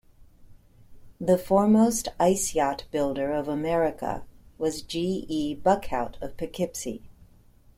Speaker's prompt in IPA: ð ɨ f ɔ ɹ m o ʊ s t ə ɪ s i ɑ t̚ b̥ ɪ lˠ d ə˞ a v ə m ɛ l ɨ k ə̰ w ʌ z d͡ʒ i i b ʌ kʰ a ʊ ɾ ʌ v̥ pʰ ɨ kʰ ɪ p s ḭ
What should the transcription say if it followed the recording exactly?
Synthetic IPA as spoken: ð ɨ f ɔ ɹ m o ʊ s t a ɪ s i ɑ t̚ b̥ ɪ lˠ d ə˞ ʌ v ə m ɛ ɹ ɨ k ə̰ w ʌ z d͡ʒ i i b ʌ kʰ a ʊ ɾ ʌ v̥ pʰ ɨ kʰ ɪ p s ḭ